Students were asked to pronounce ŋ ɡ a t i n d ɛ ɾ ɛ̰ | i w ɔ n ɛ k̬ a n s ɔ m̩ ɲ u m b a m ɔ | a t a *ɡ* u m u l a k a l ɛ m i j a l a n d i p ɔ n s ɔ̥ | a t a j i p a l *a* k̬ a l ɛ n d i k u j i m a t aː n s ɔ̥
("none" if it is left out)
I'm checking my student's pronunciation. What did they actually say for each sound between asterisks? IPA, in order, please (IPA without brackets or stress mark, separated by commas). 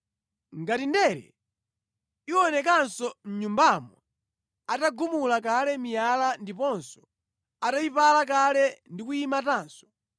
ɡ, a